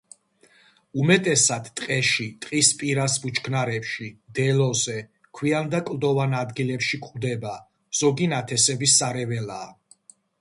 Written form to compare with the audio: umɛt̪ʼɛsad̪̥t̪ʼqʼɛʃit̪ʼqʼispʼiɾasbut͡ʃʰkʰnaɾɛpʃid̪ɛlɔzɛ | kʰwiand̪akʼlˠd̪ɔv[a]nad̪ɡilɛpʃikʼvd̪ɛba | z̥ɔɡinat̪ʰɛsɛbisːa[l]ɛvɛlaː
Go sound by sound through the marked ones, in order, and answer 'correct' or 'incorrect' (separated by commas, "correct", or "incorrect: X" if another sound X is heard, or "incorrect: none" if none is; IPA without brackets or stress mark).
correct, incorrect: ɾ